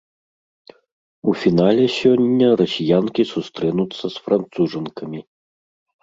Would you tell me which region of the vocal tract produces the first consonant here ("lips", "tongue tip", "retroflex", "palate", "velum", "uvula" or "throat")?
lips